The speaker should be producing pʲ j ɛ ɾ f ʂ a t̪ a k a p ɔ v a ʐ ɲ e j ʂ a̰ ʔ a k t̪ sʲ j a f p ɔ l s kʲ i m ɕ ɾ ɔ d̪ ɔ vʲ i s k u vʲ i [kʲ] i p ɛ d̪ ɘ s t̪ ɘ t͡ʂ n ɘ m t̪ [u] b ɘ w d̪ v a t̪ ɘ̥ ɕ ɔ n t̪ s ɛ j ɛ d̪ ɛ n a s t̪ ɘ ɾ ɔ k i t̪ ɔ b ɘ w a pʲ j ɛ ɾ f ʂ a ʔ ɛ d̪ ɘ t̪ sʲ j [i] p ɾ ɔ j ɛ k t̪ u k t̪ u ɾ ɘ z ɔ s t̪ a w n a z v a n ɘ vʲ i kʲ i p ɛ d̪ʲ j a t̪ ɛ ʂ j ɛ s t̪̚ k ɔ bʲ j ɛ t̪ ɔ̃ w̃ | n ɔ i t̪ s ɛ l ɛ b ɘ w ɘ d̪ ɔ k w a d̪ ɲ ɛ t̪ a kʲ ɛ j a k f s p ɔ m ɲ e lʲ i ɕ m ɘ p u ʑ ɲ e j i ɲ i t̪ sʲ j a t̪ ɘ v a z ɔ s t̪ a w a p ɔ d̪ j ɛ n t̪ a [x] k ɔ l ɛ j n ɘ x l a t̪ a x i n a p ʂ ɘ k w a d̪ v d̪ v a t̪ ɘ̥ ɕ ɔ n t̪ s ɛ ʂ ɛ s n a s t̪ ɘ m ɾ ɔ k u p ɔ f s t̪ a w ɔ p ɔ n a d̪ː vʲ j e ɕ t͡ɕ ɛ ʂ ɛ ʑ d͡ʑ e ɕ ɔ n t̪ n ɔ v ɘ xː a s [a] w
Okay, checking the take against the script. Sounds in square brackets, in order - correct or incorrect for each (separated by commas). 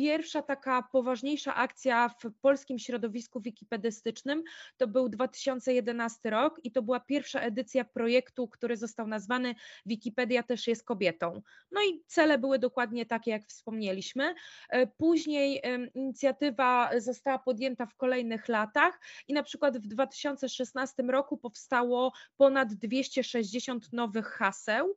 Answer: correct, incorrect, incorrect, incorrect, incorrect